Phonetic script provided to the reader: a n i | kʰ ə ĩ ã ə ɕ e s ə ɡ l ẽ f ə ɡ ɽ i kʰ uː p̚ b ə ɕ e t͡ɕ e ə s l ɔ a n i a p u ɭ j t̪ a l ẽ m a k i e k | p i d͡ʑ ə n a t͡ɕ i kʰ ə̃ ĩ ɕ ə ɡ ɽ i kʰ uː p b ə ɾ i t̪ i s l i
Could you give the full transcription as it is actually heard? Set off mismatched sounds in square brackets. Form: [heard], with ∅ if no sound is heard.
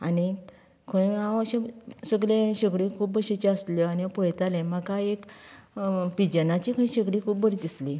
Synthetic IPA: a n i | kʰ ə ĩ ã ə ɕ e s ə ɡ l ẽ [ɕ] ə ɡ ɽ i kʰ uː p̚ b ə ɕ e t͡ɕ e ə s l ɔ a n i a p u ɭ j t̪ a l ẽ m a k [a] e k | p i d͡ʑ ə n a t͡ɕ i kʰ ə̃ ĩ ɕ ə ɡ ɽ i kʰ uː p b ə ɾ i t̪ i s l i